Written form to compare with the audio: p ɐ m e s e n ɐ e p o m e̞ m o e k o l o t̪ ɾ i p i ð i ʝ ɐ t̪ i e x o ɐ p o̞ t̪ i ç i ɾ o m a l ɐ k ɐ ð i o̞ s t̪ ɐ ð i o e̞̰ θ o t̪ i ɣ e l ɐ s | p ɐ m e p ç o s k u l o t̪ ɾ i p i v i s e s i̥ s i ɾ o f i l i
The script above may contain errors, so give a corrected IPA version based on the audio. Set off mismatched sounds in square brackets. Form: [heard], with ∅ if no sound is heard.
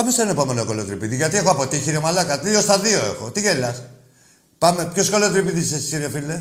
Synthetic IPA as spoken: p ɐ m e s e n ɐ e p o m e̞ [n] o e k o l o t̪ ɾ i p i ð i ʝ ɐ t̪ i e x o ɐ p o̞ t̪ i ç i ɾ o m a l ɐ k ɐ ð i o̞ s t̪ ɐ ð i o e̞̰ [x] o t̪ i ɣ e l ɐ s | p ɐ m e p ç o s k [o] l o t̪ ɾ i p i [ð] i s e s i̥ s i ɾ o f i l [e]